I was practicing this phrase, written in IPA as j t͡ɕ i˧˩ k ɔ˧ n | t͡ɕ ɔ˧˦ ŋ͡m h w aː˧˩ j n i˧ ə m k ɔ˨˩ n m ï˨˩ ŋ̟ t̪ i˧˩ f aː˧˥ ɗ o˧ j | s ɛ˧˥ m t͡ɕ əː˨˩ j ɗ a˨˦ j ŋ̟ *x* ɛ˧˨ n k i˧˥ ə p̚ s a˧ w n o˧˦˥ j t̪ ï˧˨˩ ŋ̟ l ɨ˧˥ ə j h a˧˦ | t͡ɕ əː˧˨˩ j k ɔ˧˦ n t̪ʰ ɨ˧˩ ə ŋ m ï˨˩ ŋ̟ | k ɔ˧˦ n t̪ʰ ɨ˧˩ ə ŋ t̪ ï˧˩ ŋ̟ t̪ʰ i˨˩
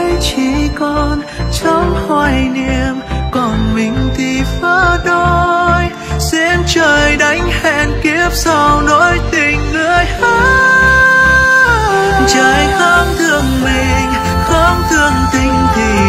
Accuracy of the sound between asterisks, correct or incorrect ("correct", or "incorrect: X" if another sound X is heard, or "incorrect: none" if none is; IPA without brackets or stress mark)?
incorrect: h